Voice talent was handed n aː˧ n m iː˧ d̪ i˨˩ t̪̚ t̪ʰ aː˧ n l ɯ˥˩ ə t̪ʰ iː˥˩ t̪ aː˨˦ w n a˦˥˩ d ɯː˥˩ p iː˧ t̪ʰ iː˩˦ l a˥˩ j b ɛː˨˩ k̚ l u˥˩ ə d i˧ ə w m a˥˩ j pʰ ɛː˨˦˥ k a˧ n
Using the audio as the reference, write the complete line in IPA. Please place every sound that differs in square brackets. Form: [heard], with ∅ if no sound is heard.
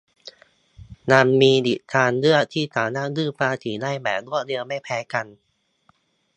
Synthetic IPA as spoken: n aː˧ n m iː˧ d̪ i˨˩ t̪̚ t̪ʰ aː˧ n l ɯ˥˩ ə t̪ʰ iː˥˩ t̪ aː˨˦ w n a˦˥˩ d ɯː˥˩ p [aː˧] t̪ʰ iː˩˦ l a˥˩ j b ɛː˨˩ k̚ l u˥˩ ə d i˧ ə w m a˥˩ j pʰ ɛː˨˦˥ k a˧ n